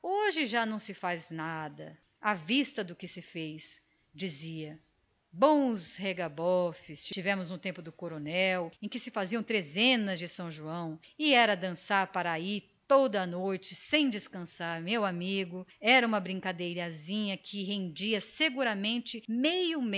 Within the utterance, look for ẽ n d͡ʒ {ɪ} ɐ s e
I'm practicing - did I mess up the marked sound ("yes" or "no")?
yes